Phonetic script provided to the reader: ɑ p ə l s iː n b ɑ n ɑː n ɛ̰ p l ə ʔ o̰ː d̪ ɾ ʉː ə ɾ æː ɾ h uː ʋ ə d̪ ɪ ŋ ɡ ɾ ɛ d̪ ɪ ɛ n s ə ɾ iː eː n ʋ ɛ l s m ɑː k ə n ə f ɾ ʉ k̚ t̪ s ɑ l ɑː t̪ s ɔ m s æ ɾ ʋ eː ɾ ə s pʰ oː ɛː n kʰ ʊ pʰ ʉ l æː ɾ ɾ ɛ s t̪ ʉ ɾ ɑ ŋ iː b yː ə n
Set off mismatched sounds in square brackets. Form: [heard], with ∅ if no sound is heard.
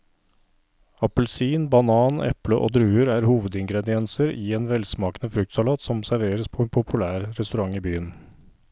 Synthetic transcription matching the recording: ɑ p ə l s iː n b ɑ n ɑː n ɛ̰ p l ə ʔ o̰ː d̪ ɾ ʉː ə ɾ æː ɾ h uː ʋ ə d̪ ɪ ŋ ɡ ɾ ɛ d̪ ɪ ɛ n s ə ɾ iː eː n ʋ ɛ l s m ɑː k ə n ə f ɾ ʉ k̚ t̪ s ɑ l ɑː t̪ s ɔ m s æ ɾ ʋ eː ɾ ə s pʰ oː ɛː n [pʰ] ʊ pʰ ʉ l æː ɾ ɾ ɛ s t̪ ʉ ɾ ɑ ŋ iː b yː ə n